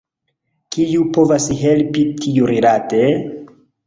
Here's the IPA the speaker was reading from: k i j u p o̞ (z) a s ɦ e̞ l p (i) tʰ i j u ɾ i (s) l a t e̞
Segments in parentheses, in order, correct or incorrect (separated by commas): incorrect, correct, incorrect